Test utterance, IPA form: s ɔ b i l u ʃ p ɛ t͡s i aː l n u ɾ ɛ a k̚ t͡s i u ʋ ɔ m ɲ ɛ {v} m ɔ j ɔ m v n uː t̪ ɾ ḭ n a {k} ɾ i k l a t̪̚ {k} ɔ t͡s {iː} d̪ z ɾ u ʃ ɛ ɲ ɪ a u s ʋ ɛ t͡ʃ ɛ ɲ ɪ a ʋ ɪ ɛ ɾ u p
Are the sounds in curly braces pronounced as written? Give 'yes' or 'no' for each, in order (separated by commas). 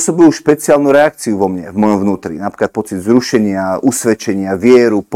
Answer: yes, no, no, no